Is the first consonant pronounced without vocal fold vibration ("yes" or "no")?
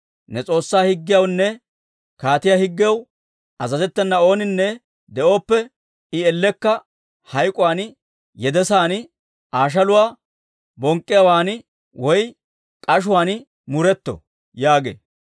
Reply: no